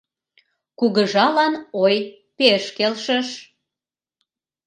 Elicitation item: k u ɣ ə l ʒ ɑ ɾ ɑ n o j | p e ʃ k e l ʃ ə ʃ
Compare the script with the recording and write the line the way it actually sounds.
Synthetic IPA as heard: k u ɣ ə ʒ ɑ l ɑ n o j | p e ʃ k e l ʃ ə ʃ